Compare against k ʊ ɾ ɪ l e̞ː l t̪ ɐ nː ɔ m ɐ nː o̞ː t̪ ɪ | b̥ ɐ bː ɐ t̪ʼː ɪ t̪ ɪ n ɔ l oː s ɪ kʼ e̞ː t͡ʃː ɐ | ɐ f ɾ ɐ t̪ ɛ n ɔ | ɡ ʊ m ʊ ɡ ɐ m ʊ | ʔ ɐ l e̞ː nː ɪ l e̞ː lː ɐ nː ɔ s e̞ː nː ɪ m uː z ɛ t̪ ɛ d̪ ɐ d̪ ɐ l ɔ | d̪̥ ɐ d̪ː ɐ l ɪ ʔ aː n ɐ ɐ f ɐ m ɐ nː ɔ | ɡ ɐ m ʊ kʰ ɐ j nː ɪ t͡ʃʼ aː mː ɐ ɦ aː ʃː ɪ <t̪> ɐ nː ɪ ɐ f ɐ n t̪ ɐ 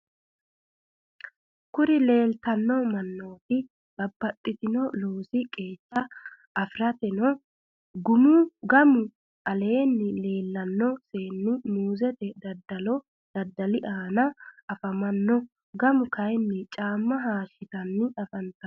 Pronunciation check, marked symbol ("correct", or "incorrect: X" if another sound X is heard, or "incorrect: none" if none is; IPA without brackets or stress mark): correct